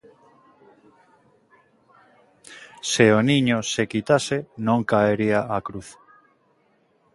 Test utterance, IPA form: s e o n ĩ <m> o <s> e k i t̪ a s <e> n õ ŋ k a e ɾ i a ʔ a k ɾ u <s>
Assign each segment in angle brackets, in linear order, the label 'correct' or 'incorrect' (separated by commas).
incorrect, correct, correct, incorrect